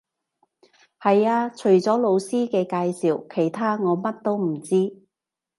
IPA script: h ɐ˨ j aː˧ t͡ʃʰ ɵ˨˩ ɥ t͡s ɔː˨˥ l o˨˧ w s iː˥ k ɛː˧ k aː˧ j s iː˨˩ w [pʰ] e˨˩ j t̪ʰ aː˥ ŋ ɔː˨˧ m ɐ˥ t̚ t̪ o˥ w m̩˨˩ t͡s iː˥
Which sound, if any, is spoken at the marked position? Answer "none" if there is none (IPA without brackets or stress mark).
kʰ